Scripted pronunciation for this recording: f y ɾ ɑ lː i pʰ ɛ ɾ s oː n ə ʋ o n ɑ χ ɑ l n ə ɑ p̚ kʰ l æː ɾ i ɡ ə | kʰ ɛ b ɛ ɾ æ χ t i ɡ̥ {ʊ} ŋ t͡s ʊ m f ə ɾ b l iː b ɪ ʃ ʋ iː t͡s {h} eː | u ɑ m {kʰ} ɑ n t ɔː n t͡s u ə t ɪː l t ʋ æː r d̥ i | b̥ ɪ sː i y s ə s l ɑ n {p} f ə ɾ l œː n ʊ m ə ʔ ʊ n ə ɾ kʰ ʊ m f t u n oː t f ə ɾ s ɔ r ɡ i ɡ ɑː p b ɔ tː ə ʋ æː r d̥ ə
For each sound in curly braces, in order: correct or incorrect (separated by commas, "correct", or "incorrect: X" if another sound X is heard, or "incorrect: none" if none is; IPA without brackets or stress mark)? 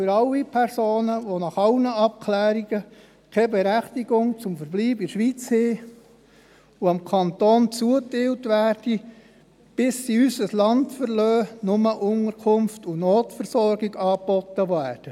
correct, correct, correct, incorrect: t